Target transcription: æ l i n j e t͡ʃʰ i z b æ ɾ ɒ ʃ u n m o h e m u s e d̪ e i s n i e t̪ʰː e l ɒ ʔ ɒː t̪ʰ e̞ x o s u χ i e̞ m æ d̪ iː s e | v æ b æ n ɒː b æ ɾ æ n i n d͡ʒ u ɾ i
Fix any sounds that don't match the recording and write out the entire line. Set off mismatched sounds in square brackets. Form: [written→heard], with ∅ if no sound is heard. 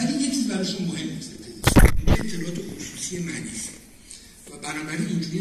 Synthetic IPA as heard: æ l i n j e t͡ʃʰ i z b æ ɾ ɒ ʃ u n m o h e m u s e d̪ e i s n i e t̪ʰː e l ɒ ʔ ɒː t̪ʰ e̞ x o s u [χ→s] i e̞ m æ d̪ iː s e | v æ b æ n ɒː b æ ɾ [æ→i] n i n d͡ʒ u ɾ i